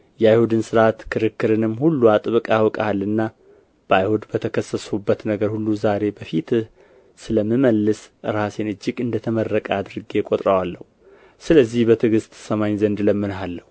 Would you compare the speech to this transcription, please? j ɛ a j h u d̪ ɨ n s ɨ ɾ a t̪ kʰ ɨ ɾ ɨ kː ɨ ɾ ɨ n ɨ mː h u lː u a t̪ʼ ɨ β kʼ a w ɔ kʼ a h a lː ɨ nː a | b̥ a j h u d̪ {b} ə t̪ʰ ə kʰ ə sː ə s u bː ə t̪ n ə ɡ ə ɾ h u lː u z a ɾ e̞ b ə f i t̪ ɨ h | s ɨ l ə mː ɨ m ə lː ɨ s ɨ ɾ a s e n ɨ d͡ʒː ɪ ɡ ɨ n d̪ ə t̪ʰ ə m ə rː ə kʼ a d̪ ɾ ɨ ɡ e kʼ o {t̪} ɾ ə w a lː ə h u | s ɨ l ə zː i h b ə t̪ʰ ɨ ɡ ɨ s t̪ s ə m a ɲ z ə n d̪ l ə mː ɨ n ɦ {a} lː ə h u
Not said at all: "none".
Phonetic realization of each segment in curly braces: b, t̪ʼ, a

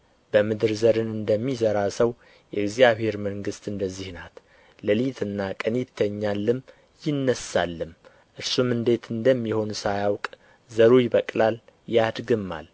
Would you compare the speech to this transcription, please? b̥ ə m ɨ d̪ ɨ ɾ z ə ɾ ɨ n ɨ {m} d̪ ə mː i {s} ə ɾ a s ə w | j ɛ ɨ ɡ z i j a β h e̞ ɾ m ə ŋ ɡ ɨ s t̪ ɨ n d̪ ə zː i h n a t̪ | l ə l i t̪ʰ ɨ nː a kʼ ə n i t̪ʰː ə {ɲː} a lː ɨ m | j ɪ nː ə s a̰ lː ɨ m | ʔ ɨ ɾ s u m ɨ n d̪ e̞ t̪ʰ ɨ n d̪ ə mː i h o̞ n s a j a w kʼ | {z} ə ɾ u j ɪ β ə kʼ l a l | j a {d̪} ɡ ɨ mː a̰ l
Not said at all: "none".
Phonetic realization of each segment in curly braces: n, z, ɲː, z, d̪

